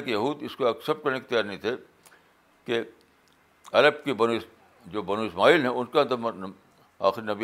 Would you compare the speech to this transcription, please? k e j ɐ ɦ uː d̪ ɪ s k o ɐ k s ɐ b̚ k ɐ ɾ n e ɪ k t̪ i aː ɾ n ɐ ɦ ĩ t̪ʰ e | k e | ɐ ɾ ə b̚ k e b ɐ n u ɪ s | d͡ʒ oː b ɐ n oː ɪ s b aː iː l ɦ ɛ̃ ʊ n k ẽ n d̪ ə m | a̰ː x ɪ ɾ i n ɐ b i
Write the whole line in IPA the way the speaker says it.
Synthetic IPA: k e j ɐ ɦ uː d̪ ɪ s k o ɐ k s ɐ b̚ k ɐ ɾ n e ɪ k t̪ j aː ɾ n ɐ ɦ ĩ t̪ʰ e | k e | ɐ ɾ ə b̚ k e b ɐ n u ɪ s | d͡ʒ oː b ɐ n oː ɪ s m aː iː l ɦ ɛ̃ ʊ n k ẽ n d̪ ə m | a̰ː x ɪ ɾ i n ɐ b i